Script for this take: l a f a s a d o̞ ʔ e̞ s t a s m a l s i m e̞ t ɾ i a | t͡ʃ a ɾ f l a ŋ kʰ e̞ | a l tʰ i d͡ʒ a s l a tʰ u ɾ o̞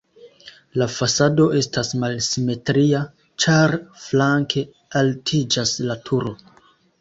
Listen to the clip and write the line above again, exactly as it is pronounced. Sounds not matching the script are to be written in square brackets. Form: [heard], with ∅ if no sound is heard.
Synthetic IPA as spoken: l a f a s a d o̞ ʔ e̞ s t a s m a l s i m e̞ t ɾ i a | t͡ʃ a ɾ f l a ŋ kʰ e̞ | a l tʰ i d͡ʒ a s l a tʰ u ɾ o̞